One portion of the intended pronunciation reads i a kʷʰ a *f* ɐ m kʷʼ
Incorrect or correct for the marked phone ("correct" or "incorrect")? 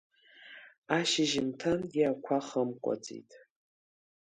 incorrect